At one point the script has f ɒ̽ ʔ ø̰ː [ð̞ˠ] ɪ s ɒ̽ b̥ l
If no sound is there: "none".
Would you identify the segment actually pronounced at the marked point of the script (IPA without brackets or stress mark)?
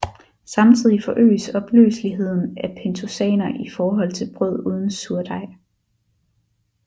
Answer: none